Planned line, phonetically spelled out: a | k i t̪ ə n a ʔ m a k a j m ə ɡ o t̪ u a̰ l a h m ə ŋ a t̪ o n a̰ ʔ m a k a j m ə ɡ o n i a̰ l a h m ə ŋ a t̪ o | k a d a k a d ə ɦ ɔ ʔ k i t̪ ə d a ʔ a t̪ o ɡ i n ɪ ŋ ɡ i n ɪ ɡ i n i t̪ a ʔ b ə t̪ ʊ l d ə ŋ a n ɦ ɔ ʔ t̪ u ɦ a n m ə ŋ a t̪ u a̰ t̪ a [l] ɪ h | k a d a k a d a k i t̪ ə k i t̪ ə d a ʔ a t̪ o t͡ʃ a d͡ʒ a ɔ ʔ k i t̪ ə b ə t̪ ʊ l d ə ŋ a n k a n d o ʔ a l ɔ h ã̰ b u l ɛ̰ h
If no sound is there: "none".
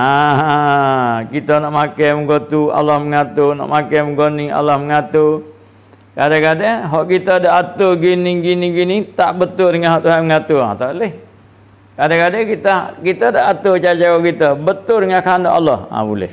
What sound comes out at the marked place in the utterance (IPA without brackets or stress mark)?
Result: l